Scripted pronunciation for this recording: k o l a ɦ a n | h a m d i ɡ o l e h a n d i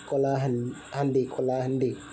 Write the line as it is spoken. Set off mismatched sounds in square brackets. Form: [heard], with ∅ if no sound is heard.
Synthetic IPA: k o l a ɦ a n | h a [n] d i [k] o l [a] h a n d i